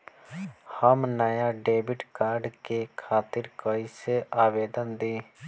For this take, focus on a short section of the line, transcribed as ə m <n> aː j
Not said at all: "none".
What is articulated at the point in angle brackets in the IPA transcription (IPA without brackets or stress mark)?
n